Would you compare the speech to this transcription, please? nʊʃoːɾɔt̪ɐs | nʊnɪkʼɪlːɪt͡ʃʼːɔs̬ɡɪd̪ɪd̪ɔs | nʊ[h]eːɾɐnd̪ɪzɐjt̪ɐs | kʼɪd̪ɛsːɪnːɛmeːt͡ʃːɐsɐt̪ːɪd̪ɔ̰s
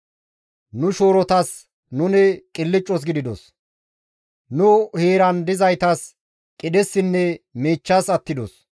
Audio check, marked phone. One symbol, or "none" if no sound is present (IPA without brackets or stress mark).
h